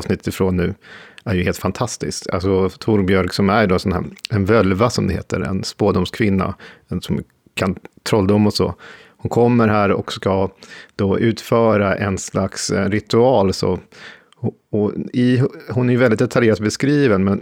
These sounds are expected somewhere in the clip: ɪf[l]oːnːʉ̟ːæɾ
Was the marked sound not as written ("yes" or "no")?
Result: yes